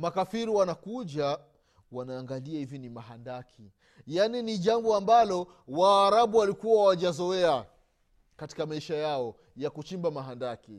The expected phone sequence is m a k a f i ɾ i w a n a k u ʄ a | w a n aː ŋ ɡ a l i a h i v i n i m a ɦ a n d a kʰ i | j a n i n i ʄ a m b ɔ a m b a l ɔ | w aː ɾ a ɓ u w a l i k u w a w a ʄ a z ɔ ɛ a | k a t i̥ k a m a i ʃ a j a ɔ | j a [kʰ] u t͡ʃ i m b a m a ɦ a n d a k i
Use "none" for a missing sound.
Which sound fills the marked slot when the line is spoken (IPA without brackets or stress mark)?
k